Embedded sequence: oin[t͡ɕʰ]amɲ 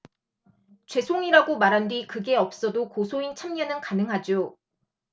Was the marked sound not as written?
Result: no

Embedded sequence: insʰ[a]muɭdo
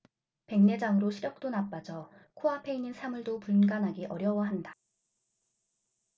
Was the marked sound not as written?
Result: no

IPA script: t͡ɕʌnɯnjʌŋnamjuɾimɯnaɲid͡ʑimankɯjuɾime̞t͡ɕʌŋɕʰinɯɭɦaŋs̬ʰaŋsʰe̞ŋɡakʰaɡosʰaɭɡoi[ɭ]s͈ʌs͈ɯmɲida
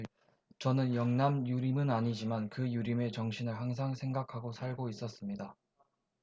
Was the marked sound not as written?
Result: yes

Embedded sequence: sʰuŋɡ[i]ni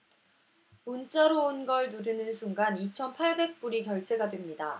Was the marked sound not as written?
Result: yes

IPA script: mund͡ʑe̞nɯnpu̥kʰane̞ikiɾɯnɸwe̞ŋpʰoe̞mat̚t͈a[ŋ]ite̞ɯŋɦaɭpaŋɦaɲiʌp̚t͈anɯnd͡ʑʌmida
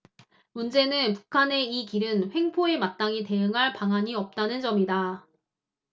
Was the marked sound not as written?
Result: no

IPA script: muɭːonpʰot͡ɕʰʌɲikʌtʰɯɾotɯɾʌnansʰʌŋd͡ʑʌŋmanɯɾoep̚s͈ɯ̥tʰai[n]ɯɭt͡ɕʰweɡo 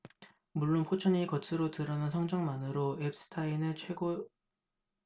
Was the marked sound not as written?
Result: no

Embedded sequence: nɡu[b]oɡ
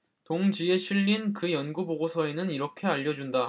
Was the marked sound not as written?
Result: no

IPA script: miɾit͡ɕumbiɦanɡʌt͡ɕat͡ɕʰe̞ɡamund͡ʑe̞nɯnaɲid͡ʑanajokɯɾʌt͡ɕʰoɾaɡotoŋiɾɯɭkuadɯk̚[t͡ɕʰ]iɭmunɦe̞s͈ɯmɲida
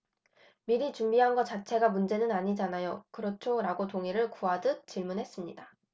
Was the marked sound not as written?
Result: yes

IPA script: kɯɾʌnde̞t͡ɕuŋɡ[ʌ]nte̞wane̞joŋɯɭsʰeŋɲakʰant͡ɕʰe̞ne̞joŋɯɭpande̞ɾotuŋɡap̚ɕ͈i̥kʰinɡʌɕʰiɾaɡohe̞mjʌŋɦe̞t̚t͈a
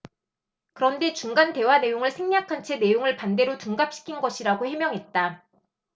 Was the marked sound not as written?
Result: yes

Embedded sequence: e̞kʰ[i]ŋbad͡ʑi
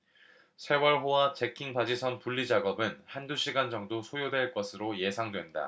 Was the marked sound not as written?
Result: no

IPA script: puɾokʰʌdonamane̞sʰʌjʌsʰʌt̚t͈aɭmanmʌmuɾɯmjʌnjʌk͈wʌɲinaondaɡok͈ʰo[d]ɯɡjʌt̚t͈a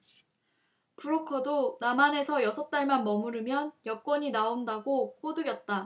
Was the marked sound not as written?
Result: no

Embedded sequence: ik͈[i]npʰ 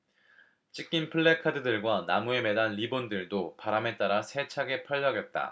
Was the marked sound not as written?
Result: no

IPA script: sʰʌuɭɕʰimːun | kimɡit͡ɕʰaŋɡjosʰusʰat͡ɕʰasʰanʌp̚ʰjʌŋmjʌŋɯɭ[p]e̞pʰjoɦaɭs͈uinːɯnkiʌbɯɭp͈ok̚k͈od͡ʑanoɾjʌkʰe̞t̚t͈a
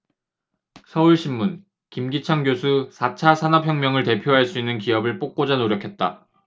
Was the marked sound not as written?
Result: yes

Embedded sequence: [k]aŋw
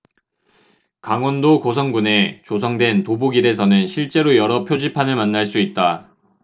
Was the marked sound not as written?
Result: no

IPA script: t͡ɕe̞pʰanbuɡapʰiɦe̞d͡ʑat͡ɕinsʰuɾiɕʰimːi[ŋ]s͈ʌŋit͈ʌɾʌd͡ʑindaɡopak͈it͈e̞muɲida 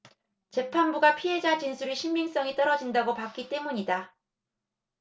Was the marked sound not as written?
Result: no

